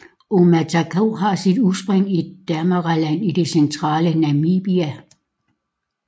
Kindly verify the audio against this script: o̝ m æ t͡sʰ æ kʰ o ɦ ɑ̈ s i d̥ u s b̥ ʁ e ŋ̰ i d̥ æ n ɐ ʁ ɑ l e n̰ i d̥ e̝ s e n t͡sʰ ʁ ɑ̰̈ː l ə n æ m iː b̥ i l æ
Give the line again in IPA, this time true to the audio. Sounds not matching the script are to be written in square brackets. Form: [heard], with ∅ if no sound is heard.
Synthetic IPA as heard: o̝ m æ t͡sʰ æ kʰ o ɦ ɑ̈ s i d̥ u s b̥ ʁ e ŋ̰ i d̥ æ [m] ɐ ʁ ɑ l [æ] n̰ i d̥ e̝ s e n t͡sʰ ʁ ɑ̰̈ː l ə n æ m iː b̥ i [∅] æ

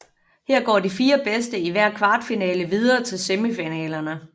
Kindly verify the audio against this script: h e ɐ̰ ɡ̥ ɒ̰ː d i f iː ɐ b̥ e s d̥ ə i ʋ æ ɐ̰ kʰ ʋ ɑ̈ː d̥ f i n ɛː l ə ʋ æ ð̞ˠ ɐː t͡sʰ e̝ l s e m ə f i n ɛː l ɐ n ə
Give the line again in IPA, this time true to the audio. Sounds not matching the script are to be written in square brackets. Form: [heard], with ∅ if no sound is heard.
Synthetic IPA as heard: h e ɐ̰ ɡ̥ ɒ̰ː d i f iː ɐ b̥ e s d̥ ə i ʋ æ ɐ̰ kʰ ʋ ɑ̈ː d̥ f i n ɛː l ə ʋ [i] ð̞ˠ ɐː t͡sʰ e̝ l s e m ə f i n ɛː l ɐ n ə

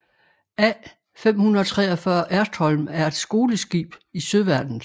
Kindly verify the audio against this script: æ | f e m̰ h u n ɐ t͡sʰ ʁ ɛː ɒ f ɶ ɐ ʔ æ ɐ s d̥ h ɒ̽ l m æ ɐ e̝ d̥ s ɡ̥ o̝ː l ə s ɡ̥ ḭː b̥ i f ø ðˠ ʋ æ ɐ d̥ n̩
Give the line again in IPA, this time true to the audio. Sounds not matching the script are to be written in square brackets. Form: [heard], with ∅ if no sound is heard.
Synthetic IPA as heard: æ | f e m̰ h u n ɐ t͡sʰ ʁ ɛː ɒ f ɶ ɐ ʔ æ ɐ s d̥ h ɒ̽ l m æ ɐ e̝ d̥ s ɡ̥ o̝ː l ə s ɡ̥ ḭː b̥ i [s] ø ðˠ ʋ æ ɐ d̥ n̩

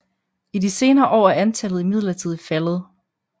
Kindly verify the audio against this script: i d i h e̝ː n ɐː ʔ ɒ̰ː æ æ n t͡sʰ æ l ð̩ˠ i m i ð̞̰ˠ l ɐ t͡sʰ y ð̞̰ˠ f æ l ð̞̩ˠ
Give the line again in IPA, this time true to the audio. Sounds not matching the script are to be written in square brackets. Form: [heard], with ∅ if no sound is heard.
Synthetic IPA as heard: i d i [s] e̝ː n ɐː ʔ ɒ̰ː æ æ n t͡sʰ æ l ð̩ˠ i m i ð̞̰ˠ l ɐ t͡sʰ [i] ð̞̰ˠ f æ l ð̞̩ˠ

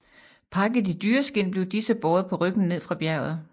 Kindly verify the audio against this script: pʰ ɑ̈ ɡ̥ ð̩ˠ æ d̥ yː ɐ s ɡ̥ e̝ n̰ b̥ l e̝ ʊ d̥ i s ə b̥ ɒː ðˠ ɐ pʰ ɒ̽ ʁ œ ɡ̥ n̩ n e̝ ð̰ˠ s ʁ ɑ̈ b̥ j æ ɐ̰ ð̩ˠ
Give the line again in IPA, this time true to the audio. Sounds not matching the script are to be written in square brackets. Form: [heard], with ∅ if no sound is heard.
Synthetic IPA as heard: pʰ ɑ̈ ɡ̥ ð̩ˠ [i] d̥ yː ɐ s ɡ̥ e̝ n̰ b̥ l e̝ ʊ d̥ i s ə b̥ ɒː ðˠ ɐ pʰ ɒ̽ ʁ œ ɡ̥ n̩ n e̝ ð̰ˠ [f] ʁ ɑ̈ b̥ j æ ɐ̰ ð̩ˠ

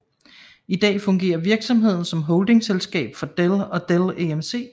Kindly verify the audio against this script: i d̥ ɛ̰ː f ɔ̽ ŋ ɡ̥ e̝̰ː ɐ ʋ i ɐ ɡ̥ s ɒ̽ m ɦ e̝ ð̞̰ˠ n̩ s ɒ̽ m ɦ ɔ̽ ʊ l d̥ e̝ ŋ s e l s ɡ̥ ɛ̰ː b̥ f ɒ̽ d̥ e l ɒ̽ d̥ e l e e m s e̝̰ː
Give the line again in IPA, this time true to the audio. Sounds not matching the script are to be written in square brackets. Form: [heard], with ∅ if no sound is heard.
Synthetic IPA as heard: i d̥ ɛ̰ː f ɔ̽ ŋ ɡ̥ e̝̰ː ɐ ʋ i ɐ ɡ̥ s ɒ̽ m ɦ e̝ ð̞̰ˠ n̩ s ɒ̽ m ɦ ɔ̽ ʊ l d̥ e̝ ŋ s e l s ɡ̥ ɛ̰ː b̥ f ɒ̽ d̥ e l ɒ̽ d̥ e l e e m s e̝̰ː

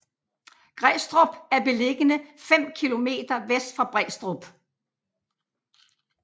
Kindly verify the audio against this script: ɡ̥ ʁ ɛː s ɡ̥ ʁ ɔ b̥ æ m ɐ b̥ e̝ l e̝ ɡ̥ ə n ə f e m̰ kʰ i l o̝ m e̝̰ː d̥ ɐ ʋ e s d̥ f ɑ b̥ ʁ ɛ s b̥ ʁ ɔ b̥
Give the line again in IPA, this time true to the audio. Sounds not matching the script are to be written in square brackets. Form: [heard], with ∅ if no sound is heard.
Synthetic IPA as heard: ɡ̥ ʁ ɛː s [d̥] ʁ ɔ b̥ æ [∅] ɐ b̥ e̝ l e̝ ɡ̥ ə n ə f e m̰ kʰ i l o̝ m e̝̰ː d̥ ɐ ʋ e s d̥ f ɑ b̥ ʁ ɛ s [d̥] ʁ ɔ b̥

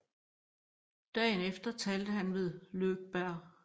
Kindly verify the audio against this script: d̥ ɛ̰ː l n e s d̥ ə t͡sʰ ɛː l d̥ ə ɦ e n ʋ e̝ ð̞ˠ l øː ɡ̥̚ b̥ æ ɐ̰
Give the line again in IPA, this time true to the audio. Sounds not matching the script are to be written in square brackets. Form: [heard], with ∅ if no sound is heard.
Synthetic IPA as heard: d̥ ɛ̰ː [∅] n e [f] d̥ [ɐ] t͡sʰ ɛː l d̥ ə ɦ [æ] n ʋ e̝ ð̞ˠ l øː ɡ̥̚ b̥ æ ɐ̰

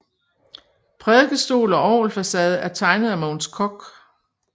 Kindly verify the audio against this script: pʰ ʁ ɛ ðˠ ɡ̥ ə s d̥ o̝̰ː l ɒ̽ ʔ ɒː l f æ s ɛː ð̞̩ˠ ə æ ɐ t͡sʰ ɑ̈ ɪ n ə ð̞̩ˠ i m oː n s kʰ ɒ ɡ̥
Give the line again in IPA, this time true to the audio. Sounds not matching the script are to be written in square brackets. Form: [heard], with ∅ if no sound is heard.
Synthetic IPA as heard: pʰ ʁ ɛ ðˠ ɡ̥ ə s d̥ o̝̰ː l ɒ̽ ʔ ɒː l f æ s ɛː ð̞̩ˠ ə æ ɐ t͡sʰ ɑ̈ ɪ n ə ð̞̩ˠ [æ] m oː n s kʰ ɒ ɡ̥

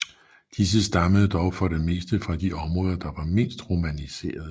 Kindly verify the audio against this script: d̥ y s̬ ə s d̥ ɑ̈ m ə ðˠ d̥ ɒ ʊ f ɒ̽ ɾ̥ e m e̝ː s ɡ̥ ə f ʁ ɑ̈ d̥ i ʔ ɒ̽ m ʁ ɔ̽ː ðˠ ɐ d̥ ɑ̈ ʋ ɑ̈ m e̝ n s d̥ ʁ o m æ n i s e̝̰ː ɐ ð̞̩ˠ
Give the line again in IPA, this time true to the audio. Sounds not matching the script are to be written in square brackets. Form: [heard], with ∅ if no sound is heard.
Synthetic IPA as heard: d̥ [i] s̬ ə s d̥ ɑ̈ m ə ðˠ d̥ ɒ ʊ f ɒ̽ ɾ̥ e m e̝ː s [d̥] ə f ʁ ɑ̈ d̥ i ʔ ɒ̽ m ʁ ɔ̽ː ðˠ ɐ d̥ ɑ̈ ʋ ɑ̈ m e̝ n s d̥ ʁ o m æ n i s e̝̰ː ɐ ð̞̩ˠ

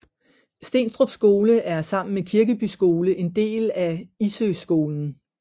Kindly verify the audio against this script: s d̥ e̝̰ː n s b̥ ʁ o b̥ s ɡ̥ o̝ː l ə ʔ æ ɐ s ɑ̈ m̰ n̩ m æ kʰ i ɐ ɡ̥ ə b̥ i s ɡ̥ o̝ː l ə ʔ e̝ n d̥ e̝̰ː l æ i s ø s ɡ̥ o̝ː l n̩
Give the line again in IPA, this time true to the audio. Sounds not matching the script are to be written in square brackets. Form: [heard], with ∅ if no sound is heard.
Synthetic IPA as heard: s d̥ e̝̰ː n s [d̥] ʁ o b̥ s ɡ̥ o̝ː l ə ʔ æ ɐ s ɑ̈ m̰ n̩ m [e] kʰ i ɐ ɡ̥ ə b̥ [y] s ɡ̥ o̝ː l ə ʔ e̝ n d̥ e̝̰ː l æ i s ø s ɡ̥ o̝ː l n̩

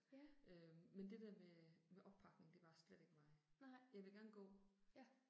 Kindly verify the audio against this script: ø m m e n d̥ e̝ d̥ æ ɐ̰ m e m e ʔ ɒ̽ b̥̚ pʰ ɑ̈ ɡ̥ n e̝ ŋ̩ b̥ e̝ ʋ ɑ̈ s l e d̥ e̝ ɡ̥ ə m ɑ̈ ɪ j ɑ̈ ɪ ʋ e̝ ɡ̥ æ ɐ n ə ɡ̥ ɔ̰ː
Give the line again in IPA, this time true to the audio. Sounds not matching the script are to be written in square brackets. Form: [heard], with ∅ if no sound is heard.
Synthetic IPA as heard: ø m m e n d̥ e̝ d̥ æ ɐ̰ m e m e ʔ ɒ̽ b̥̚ pʰ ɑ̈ ɡ̥ n e̝ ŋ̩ [d̥] e̝ ʋ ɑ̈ s l e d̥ e̝ ɡ̥ ə m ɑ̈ ɪ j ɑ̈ ɪ ʋ e̝ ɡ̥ æ ɐ n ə ɡ̥ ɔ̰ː

